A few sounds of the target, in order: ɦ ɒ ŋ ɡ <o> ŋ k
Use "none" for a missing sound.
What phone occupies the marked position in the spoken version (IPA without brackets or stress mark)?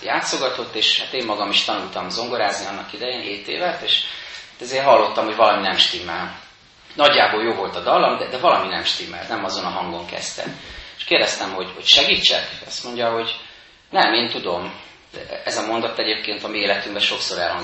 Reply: o